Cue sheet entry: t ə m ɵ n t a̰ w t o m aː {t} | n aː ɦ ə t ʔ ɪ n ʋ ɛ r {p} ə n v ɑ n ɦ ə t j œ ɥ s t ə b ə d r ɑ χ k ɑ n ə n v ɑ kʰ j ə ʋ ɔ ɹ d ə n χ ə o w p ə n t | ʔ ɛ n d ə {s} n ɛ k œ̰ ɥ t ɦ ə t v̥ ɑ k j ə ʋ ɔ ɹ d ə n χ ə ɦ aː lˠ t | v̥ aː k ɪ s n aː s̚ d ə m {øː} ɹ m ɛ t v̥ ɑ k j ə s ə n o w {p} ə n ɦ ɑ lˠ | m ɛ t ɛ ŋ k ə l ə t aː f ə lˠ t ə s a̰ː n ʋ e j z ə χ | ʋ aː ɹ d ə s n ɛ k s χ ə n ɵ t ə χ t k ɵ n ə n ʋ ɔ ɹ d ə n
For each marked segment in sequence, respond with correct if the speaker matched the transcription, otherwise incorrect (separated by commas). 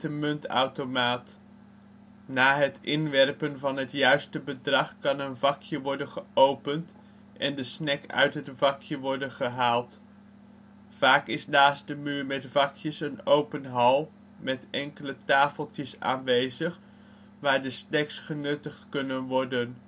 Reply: correct, correct, correct, incorrect, correct